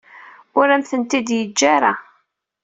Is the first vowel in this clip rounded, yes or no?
yes